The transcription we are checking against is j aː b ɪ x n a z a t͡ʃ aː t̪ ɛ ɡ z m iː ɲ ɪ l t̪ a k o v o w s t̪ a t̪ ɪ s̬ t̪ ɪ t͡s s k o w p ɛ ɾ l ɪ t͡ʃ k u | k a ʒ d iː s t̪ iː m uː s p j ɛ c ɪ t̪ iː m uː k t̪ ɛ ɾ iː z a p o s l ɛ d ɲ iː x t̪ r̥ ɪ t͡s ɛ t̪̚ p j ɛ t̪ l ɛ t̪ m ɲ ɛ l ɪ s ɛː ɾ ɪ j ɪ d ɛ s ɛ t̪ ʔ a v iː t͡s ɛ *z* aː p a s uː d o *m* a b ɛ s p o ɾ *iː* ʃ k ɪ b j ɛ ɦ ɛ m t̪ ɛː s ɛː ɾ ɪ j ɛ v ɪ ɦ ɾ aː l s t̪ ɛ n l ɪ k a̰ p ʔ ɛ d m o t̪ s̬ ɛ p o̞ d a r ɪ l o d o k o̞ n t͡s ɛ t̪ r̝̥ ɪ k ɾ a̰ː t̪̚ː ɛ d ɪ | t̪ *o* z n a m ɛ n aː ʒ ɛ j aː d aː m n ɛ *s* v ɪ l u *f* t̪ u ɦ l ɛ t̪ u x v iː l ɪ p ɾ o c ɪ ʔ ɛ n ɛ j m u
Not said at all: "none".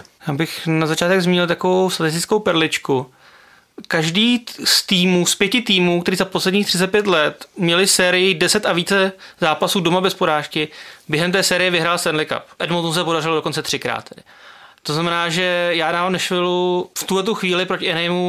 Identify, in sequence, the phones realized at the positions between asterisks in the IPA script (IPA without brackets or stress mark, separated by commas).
z, m, aː, o, ʃ, f